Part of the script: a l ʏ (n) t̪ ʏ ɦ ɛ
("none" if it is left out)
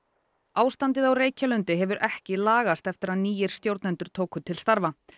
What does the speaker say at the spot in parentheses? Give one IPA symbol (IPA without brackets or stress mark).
n